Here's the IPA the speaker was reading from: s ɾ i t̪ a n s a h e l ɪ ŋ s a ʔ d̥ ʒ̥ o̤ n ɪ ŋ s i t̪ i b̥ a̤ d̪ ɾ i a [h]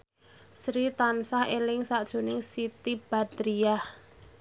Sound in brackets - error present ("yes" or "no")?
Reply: no